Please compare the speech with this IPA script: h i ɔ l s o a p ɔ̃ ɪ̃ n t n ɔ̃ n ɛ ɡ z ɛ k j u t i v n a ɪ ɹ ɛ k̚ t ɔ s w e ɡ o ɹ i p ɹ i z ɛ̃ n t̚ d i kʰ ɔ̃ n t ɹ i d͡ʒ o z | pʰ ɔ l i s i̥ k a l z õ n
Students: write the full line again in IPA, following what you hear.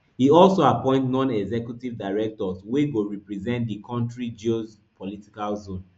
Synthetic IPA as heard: h i ɔ l s o a p ɔ̃ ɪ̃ n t n ɔ̃ n ɛ ɡ z ɛ k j u t i v d a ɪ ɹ ɛ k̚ t ɔ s w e ɡ o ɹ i p ɹ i z ɛ̃ n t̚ d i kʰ ɔ̃ n t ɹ i d͡ʒ o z | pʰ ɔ l i t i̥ k a l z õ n